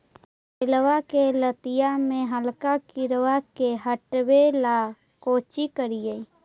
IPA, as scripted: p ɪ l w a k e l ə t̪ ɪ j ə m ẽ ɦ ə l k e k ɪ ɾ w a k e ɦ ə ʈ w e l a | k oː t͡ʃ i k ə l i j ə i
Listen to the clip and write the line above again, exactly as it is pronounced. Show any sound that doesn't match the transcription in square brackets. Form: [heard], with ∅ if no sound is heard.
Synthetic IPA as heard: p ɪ l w a k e l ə t̪ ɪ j [a] m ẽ ɦ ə l k [a] k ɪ ɾ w a k e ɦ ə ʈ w e l a | k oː t͡ʃ i k ə [ɾ] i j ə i